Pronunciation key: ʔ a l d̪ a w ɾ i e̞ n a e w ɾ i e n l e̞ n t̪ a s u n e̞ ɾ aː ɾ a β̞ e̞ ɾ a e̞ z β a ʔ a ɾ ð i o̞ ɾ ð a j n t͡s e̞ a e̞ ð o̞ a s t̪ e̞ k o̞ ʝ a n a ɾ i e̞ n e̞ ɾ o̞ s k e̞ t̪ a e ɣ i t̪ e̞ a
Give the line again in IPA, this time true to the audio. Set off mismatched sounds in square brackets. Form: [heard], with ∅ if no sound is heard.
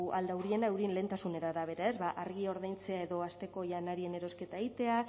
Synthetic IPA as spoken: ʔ a l d̪ a w ɾ i e̞ n a e w ɾ i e n l e̞ n t̪ a s u n e̞ ɾ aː ɾ a β̞ e̞ ɾ a e̞ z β a ʔ a ɾ [ɣ] i o̞ ɾ ð a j n t͡s e̞ a e̞ ð o̞ a s t̪ e̞ k o̞ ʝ a n a ɾ i e̞ n e̞ ɾ o̞ s k e̞ t̪ a e ɣ i t̪ e̞ a